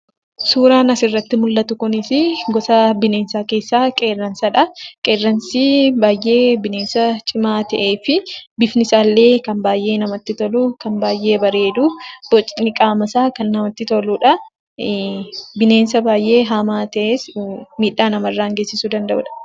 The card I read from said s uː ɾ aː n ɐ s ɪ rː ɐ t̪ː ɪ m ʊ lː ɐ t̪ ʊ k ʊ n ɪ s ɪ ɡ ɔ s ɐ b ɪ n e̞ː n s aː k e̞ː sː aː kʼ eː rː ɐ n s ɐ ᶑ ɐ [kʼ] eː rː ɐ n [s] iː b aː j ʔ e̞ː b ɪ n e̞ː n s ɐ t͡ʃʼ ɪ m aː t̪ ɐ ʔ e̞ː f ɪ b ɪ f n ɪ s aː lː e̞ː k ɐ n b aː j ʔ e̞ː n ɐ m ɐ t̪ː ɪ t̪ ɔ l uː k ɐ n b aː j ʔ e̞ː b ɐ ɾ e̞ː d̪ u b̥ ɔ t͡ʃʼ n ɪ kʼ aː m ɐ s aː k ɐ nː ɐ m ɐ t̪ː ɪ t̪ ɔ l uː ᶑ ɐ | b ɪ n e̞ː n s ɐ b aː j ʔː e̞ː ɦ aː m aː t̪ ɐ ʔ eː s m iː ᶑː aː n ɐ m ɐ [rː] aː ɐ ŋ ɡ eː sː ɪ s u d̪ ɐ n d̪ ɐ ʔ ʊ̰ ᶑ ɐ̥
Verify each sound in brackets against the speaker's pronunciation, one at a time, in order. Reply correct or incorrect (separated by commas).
correct, correct, correct